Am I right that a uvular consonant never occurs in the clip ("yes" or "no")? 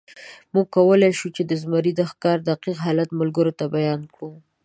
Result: no